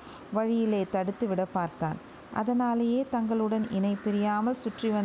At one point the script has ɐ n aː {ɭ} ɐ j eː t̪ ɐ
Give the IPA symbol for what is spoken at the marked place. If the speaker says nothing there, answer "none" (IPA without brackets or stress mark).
l